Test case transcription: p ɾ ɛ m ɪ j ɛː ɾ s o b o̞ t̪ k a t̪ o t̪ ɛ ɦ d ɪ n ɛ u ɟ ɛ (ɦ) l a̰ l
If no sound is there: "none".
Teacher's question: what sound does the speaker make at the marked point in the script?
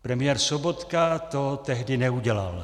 none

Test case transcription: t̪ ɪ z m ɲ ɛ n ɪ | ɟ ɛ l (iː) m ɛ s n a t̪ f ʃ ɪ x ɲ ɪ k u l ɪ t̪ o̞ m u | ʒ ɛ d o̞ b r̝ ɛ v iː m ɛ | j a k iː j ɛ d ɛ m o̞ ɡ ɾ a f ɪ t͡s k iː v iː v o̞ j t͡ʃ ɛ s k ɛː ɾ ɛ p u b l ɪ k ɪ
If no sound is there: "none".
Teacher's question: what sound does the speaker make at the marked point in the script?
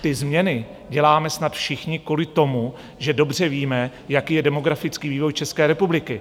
aː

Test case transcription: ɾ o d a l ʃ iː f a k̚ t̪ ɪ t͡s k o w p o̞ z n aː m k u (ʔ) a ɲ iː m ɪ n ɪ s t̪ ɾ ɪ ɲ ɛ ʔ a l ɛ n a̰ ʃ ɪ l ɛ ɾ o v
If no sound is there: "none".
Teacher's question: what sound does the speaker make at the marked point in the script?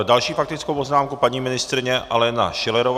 p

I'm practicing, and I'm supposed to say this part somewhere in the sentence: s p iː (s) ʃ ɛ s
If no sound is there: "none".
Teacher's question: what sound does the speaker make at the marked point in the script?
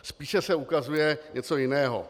none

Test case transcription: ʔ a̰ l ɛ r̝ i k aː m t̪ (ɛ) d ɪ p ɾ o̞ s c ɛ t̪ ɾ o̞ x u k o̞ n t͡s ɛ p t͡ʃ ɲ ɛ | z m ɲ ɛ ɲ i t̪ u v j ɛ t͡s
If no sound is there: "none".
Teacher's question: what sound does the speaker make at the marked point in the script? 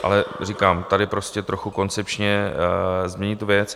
a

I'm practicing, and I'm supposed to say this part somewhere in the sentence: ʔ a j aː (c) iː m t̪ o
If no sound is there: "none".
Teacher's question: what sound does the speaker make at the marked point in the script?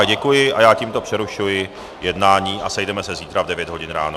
c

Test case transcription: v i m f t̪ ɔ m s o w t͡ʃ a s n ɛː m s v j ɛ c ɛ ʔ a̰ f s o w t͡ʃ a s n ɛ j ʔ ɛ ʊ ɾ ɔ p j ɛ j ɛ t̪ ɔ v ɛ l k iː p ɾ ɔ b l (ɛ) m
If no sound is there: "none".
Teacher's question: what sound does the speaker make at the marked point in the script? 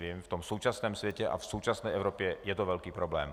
ɛː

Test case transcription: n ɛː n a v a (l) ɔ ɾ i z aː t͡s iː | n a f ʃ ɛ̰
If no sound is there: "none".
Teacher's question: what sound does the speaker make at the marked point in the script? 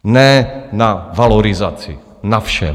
l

